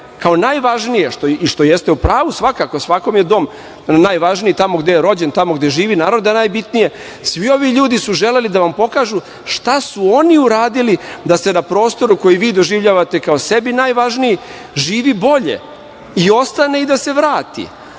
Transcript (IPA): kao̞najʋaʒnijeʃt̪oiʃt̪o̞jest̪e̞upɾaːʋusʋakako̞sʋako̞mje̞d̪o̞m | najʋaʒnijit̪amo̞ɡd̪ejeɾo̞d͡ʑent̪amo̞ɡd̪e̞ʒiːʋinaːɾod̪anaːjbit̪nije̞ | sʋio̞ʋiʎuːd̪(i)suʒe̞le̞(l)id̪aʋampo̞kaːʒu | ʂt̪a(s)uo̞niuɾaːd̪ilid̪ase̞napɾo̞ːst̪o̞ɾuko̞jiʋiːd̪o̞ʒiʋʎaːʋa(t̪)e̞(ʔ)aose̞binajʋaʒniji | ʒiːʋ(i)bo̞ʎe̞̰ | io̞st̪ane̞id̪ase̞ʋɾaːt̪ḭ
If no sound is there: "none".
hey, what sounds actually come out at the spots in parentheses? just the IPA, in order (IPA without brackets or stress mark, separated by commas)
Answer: i, l, s, t̪, k, i